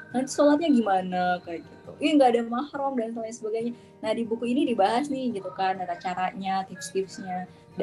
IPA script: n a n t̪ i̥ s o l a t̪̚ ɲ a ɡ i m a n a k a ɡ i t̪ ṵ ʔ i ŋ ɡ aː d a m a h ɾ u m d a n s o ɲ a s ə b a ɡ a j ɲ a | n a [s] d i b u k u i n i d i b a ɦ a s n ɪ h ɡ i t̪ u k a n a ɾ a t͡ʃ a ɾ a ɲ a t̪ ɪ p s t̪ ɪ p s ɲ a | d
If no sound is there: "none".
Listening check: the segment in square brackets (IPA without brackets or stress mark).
h